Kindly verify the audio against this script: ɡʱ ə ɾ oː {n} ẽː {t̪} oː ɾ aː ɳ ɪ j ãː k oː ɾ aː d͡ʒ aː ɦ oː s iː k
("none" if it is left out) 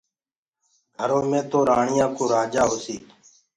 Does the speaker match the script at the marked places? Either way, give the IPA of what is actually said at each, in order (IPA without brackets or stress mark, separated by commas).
m, t̪